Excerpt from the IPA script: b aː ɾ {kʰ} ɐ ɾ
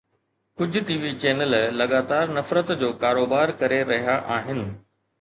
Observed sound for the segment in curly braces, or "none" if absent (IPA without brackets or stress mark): k